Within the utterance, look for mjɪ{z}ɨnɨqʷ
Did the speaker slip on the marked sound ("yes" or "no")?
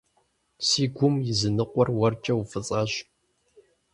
no